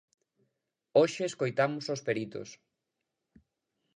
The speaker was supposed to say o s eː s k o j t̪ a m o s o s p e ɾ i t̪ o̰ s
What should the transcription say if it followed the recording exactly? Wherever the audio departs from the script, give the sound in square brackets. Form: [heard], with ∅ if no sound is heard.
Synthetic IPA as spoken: o [ʃ] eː s k o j t̪ a m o s o s p e ɾ i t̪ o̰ s